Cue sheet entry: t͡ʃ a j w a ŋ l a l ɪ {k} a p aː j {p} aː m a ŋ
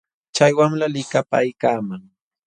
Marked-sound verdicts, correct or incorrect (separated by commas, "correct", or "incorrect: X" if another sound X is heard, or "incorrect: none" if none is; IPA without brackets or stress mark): correct, incorrect: k